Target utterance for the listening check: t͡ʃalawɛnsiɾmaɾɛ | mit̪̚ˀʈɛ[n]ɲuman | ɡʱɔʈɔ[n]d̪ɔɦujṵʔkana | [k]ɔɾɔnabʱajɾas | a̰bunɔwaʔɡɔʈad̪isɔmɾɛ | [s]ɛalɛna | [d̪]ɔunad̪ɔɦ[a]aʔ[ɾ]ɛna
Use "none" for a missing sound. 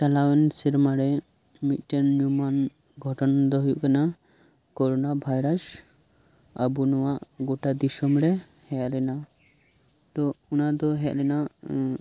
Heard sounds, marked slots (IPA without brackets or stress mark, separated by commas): n, n, k, h, t̪, ɛ, l